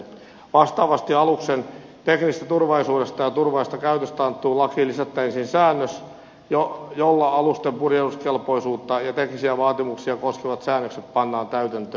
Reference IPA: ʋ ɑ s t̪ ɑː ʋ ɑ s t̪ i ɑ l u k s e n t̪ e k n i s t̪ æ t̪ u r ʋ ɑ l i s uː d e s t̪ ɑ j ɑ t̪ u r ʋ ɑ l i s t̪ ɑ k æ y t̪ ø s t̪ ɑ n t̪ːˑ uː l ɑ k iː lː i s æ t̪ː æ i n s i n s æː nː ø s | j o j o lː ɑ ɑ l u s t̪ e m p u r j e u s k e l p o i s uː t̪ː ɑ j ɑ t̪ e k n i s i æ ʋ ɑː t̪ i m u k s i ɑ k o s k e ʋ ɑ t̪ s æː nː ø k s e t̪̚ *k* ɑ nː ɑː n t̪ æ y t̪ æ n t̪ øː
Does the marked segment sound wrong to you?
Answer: yes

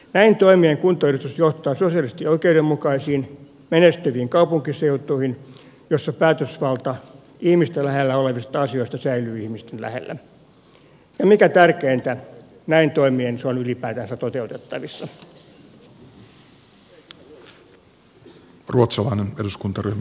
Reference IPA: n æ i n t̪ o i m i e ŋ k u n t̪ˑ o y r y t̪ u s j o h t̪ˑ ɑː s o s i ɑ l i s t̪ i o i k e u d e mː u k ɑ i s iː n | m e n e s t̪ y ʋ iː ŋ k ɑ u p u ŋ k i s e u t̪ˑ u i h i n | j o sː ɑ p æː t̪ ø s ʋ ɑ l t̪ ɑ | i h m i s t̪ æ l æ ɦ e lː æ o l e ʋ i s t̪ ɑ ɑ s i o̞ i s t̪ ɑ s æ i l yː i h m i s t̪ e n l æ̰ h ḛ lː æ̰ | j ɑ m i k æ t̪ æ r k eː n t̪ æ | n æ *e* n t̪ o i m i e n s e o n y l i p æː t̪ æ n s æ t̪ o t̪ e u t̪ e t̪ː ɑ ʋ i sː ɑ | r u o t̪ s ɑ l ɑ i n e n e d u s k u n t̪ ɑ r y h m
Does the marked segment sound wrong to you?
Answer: yes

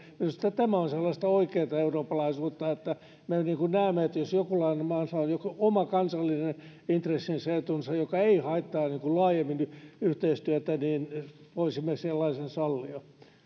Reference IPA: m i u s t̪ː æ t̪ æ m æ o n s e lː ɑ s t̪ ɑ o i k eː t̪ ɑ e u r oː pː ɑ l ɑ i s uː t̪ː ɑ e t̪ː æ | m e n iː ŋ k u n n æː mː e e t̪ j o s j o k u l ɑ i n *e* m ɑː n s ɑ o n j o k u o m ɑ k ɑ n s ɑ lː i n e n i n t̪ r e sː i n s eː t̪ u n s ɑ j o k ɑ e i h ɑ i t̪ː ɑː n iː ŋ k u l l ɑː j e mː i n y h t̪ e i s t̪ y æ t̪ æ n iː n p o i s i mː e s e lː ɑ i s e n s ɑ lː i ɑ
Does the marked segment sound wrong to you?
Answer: no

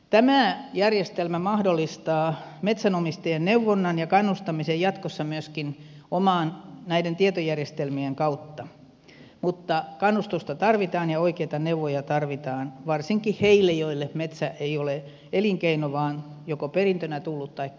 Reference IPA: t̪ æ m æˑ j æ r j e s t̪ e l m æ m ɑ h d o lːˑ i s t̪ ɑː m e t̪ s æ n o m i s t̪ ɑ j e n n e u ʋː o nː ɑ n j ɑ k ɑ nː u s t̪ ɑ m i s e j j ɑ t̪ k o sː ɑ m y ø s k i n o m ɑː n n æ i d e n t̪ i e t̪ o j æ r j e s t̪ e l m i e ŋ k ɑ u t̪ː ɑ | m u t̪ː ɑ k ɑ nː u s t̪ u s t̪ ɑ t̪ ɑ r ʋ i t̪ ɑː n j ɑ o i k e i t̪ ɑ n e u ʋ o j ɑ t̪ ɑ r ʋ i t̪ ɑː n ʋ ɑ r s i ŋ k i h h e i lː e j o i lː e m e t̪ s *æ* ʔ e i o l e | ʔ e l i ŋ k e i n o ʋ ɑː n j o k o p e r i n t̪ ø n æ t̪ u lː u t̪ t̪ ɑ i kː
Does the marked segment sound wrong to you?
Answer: no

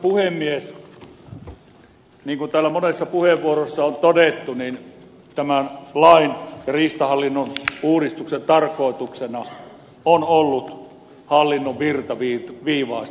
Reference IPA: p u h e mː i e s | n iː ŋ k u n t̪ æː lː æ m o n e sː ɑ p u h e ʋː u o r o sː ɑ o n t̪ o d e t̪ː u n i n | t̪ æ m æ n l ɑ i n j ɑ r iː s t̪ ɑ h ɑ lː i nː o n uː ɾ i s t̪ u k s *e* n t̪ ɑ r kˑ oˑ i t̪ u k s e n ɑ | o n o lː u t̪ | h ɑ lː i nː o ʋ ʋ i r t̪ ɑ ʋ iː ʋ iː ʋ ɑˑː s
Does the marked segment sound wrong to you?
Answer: no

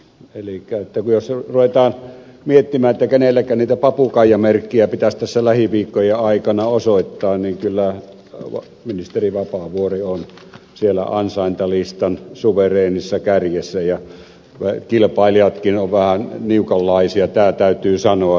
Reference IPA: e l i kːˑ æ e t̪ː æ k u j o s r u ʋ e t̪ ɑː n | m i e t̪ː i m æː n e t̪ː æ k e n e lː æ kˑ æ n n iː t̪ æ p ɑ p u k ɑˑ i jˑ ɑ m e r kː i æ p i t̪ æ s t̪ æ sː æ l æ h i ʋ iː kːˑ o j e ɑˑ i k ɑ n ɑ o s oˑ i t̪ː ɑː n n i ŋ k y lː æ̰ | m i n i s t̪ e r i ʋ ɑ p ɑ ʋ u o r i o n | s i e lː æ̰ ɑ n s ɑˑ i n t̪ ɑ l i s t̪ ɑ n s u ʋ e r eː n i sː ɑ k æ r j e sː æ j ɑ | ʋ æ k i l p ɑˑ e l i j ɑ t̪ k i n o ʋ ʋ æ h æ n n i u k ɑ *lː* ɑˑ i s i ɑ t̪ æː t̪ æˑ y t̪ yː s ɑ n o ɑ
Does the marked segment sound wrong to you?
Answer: no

